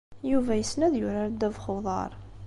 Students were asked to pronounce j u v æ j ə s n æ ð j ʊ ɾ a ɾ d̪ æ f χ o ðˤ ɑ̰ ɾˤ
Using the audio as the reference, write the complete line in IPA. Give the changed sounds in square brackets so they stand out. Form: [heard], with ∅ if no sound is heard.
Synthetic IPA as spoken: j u v æ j ə s n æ ð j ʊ ɾ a ɾ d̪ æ [v] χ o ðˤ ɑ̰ ɾˤ